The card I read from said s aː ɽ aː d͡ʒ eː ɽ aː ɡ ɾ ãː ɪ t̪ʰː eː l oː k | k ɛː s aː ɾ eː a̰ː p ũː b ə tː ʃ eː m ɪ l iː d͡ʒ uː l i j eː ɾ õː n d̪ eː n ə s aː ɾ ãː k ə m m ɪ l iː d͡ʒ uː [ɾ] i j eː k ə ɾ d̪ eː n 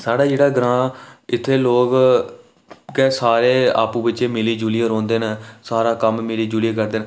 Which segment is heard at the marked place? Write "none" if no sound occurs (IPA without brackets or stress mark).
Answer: l